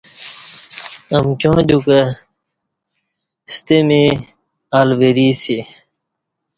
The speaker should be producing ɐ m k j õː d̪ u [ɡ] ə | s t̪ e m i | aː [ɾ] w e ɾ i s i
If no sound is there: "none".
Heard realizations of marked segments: k, l

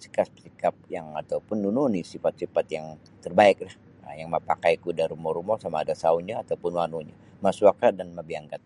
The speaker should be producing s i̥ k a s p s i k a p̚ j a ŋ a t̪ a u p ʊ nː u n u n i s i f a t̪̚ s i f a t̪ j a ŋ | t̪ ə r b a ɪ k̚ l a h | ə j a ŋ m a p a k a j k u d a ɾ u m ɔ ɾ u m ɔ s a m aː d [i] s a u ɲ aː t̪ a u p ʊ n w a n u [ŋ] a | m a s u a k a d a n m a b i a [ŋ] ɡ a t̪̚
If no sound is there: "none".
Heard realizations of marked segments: a, ɲ, ŋ

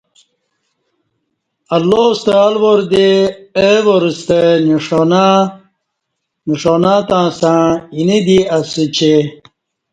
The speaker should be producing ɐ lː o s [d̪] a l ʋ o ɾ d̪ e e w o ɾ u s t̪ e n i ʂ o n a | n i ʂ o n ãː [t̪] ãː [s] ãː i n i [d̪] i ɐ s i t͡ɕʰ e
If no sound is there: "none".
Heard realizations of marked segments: t̪, t̪, s, d̪

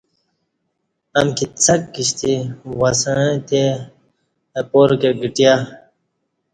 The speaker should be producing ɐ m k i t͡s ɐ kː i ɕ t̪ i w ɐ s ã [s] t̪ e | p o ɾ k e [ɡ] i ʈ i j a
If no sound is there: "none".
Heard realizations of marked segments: none, ɡ

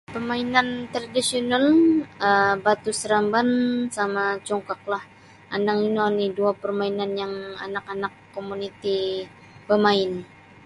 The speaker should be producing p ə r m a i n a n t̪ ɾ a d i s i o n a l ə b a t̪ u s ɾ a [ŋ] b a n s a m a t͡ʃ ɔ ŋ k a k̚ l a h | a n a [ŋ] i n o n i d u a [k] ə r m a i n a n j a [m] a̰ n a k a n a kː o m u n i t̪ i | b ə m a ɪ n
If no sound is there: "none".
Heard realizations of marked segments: m, ŋ, p, ŋ

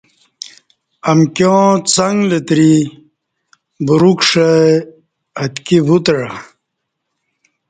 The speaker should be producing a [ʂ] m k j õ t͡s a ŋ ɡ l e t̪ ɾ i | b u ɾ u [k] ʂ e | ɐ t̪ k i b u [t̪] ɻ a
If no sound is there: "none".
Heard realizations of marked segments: none, k, t̪

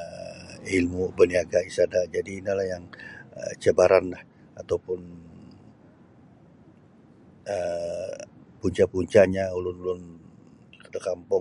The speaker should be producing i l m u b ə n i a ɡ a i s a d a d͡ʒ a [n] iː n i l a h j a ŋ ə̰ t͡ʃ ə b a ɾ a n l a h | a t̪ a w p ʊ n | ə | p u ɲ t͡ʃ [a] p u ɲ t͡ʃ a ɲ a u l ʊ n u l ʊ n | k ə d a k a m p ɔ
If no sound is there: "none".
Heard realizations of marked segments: d, a

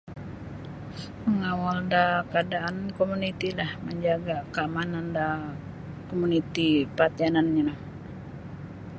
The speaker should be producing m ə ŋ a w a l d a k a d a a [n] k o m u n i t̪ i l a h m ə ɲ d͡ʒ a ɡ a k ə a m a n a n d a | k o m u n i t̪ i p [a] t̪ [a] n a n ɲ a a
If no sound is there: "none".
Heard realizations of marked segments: n, a, a

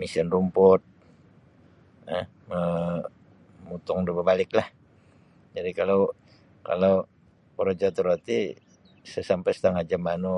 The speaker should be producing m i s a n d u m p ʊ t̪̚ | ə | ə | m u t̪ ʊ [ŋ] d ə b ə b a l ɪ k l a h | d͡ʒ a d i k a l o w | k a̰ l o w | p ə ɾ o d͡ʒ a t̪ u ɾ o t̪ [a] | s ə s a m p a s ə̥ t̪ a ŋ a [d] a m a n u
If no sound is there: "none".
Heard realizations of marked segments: ŋ, i, d͡ʒ

